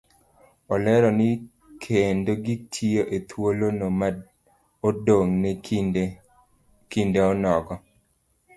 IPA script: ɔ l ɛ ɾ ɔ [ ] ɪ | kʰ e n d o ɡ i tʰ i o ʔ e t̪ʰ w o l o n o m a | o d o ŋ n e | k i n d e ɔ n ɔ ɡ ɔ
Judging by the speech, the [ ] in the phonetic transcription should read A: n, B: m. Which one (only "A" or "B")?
A